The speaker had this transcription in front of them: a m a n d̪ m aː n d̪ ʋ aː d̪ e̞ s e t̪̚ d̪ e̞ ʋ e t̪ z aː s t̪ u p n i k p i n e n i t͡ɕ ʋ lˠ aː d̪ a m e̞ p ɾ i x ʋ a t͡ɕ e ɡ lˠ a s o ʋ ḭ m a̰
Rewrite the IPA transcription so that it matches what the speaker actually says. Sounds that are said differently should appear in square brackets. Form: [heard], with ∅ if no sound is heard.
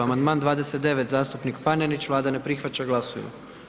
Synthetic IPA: a m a n d̪ m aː n d̪ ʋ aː d̪ e̞ s e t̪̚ d̪ e̞ ʋ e t̪ z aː s t̪ u p n i k p [a] n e n i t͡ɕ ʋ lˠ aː d̪ a [n] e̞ p ɾ i x ʋ a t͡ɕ [a] ɡ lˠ a s o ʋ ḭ m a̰